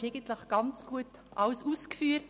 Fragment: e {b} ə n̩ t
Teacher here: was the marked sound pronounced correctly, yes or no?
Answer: no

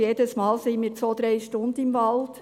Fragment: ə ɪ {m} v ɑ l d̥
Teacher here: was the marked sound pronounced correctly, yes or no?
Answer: yes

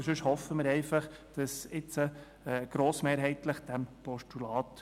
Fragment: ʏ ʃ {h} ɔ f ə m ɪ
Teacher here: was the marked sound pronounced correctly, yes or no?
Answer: yes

